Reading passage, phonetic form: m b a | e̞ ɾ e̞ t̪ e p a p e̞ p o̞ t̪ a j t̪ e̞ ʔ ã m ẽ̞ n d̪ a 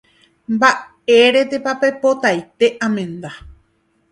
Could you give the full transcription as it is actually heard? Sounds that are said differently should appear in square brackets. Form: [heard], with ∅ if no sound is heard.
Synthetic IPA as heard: m b a | e̞ ɾ e̞ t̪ e p a p e̞ p o̞ t̪ a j t̪ e̞ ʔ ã m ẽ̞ n d̪ a